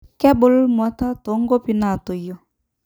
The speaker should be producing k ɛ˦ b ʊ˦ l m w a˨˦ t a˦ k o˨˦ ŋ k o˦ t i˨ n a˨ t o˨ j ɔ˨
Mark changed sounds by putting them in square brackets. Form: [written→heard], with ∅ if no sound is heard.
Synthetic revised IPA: k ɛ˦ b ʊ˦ l m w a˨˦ t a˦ [k→t] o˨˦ ŋ [k→ɡ] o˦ [t→p] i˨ n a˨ t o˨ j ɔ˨

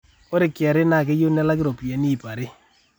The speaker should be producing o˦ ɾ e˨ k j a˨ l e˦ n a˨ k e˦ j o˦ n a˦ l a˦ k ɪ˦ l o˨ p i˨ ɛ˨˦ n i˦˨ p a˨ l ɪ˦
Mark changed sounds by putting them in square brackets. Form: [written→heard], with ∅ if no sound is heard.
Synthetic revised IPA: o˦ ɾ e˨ k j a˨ [l→ɾ] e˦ n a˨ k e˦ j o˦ n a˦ l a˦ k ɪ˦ [l→ɾ] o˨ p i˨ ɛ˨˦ n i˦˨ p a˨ [l→ɾ] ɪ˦

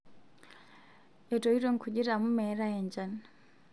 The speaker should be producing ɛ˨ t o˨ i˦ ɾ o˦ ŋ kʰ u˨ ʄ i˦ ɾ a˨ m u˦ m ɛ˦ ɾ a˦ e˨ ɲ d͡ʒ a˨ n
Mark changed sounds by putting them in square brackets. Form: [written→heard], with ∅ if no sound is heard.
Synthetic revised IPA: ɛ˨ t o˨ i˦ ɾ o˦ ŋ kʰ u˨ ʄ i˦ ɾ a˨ m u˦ m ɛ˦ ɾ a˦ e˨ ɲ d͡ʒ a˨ n

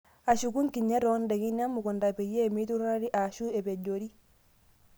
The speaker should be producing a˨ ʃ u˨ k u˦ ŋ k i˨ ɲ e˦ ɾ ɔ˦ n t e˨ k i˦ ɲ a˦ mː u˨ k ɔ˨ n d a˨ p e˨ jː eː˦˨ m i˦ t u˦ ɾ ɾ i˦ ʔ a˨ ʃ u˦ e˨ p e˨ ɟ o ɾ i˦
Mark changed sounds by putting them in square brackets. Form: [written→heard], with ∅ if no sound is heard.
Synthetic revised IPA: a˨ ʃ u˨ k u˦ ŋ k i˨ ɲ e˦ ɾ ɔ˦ n [t→d] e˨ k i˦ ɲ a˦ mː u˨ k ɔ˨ n d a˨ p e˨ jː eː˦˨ m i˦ t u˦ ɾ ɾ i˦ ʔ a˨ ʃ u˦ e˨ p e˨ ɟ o ɾ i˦

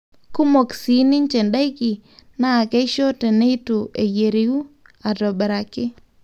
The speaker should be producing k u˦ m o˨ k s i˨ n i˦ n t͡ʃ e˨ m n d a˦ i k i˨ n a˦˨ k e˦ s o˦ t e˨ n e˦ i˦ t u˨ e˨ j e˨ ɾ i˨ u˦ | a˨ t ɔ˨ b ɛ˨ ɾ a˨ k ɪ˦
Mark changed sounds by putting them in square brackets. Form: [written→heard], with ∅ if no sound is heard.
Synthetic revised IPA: k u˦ m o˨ k s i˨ n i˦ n t͡ʃ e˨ [m→∅] n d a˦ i k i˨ n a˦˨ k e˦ [s→ʃ] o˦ t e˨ n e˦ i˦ t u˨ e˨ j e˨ ɾ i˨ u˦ | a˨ t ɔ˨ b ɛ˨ ɾ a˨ k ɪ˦

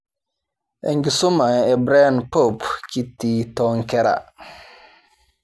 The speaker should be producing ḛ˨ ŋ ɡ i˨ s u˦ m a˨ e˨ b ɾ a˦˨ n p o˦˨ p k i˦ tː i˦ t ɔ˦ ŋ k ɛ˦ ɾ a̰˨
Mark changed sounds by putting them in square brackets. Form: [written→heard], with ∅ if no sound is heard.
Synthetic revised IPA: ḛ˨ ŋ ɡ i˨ s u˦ m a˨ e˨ b ɾ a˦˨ n p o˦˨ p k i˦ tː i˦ t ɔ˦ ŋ k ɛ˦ ɾ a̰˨

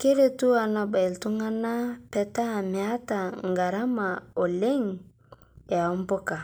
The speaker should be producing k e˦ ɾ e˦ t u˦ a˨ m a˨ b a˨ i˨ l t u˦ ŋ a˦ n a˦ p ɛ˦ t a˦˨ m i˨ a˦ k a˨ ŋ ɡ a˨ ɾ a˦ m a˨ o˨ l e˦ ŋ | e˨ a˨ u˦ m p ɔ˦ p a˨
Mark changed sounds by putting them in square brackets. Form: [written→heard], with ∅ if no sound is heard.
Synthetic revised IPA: k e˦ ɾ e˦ t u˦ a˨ [m→n] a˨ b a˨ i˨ l t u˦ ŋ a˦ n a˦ p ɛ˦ t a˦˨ m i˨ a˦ [k→t] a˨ ŋ ɡ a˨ ɾ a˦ m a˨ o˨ l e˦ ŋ | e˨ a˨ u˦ m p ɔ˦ [p→k] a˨

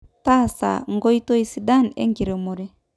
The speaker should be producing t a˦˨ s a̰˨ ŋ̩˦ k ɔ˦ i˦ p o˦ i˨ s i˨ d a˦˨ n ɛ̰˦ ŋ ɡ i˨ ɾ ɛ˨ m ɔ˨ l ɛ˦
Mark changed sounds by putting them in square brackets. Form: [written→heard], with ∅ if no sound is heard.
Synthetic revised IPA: t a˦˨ s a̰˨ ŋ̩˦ [k→ɡ] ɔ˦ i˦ [p→t] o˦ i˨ s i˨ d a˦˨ n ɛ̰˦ ŋ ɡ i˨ ɾ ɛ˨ m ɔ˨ [l→ɾ] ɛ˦

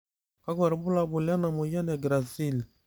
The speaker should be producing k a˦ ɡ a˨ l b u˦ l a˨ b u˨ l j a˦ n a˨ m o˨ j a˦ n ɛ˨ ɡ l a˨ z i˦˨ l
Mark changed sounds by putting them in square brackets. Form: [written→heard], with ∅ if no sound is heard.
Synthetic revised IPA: k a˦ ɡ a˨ [l→ɾ] b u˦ l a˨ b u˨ l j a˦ n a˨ m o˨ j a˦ n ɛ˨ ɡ [l→ɾ] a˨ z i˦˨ l

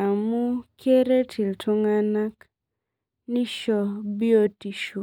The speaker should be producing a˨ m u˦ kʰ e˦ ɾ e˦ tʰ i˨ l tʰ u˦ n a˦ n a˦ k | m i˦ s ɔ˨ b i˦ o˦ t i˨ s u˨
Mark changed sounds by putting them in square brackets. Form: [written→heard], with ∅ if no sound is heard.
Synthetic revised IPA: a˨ m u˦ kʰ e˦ ɾ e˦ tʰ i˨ l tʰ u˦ [n→ŋ] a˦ n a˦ k | [m→n] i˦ [s→ʃ] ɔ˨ b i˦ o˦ t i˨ [s→ʃ] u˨

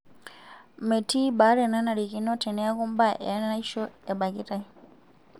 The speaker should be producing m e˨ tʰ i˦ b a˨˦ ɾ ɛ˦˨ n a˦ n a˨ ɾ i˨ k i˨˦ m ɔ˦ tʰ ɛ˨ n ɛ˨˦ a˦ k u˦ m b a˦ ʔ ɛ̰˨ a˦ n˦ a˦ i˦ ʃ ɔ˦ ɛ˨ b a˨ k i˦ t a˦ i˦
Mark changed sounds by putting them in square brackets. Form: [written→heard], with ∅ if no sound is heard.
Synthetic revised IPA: m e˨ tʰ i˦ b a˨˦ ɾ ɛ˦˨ n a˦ n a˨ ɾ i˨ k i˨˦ [m→n] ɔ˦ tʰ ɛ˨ n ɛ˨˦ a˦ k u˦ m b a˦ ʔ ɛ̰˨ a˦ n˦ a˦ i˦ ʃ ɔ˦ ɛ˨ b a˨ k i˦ t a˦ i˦

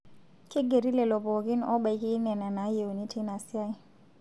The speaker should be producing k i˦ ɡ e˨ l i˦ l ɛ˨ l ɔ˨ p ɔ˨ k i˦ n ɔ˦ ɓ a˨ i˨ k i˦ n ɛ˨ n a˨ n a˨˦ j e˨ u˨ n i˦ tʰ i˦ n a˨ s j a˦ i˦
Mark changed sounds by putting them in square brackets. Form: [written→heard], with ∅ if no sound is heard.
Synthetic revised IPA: k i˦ ɡ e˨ [l→ɾ] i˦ l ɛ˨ l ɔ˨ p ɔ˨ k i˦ n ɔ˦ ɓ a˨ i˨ k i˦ n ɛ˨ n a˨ n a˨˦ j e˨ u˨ n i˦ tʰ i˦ n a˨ s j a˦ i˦

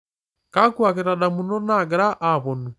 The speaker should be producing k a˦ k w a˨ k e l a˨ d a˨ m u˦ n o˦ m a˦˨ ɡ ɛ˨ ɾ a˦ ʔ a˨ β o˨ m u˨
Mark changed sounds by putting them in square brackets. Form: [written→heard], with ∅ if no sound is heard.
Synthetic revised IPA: k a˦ k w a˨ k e [l→ɾ] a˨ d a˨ m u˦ n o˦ [m→n] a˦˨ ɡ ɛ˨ ɾ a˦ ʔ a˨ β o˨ [m→n] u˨

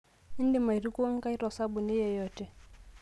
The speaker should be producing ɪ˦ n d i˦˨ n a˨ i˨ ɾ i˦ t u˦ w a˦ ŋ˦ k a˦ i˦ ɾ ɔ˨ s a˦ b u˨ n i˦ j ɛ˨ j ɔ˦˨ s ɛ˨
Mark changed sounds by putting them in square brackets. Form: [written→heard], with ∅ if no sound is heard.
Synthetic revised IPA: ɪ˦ n d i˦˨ [n→m] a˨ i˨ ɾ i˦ [t→k] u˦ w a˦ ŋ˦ k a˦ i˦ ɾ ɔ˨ s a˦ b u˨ n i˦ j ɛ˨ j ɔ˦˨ [s→t] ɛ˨

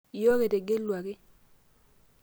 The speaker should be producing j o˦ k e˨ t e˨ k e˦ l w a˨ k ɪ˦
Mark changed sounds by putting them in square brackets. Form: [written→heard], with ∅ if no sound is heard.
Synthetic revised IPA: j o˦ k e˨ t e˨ [k→ɡ] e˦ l w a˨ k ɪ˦

